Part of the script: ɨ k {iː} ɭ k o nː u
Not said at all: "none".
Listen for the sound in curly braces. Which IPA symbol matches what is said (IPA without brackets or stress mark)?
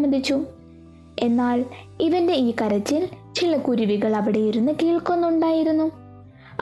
iː